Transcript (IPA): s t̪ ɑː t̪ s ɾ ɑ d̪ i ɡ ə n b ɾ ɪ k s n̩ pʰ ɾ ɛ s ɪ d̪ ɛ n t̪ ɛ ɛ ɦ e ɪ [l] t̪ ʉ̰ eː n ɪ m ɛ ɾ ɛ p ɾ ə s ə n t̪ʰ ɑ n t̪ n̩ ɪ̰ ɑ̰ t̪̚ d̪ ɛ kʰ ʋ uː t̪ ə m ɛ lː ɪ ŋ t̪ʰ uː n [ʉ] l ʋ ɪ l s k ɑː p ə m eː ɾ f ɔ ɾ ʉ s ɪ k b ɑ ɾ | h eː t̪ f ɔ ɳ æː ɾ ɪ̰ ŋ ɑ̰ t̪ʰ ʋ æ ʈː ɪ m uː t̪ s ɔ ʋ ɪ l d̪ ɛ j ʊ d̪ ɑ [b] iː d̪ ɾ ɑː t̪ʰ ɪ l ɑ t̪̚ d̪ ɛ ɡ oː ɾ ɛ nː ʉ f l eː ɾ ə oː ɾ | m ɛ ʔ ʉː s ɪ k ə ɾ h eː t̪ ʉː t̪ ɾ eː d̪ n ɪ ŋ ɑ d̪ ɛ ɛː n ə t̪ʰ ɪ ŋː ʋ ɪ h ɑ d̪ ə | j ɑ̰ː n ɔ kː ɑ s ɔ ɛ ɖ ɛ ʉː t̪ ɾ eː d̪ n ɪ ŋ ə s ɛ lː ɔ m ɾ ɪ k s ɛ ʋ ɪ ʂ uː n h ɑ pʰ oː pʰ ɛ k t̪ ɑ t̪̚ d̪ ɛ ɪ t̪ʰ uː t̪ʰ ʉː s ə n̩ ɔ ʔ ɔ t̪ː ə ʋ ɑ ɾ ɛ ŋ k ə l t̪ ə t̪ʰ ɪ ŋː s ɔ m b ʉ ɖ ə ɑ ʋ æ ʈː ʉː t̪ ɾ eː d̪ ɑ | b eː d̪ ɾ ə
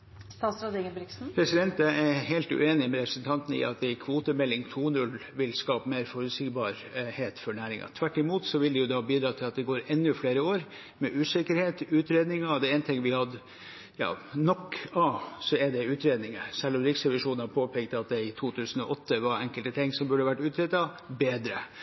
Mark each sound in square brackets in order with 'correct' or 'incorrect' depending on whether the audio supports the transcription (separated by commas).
correct, correct, correct